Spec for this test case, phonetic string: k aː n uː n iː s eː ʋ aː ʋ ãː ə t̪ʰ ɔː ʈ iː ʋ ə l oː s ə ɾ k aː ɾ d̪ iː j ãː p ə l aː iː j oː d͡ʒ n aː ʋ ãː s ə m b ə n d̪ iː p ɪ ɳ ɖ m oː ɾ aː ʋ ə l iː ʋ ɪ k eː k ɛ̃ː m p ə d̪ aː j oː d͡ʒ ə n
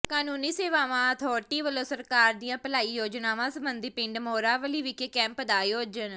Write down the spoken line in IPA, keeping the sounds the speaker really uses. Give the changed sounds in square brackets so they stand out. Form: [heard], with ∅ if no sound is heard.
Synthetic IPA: k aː n uː n iː s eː ʋ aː ʋ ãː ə t̪ʰ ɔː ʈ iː ʋ ə l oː s ə ɾ k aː ɾ d̪ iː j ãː p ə l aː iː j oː d͡ʒ n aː ʋ ãː s ə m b ə n d̪ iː p ɪ ɳ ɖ m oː ɾ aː ʋ ə l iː ʋ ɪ k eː k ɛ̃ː m p ə d̪ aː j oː d͡ʒ ə n